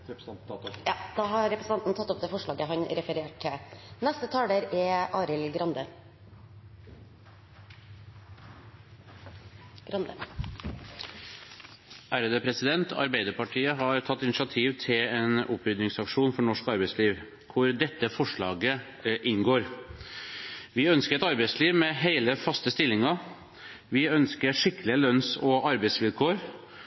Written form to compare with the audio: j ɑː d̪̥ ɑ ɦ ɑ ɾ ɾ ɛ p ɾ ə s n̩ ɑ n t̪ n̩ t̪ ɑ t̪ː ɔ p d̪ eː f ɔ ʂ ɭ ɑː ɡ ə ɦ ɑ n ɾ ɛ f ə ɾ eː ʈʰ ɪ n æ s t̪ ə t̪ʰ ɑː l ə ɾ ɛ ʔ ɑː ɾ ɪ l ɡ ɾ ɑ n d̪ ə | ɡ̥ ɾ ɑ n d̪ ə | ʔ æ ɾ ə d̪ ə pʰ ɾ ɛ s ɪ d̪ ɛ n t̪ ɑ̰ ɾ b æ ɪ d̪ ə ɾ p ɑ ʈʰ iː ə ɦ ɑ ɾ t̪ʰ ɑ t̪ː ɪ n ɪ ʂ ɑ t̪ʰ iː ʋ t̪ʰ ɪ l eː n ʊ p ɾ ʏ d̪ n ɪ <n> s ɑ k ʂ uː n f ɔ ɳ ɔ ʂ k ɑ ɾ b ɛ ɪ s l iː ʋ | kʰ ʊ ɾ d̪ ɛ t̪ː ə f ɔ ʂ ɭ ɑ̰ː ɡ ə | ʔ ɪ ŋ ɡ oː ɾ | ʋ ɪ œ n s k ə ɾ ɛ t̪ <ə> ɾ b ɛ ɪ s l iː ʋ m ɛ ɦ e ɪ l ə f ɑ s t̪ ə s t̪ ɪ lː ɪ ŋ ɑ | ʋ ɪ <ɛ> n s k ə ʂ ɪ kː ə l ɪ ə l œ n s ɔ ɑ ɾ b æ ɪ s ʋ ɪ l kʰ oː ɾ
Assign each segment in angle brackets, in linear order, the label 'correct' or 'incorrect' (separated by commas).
incorrect, incorrect, incorrect